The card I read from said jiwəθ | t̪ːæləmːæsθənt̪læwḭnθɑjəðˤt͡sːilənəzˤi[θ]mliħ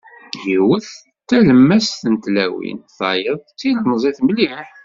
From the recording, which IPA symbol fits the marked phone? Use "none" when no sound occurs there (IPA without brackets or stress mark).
θ